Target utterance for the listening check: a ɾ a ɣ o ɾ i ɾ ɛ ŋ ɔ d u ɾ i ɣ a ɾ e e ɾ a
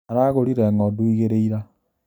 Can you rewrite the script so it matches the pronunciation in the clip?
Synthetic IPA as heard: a ɾ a ɣ o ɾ i ɾ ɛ ŋ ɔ d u i ɣ e ɾ e i ɾ a